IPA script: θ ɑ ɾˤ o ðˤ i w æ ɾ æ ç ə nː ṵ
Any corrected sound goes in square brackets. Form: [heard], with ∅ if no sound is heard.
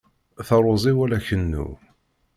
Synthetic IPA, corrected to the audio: θ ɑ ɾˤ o [zˤ] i w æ [l] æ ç ə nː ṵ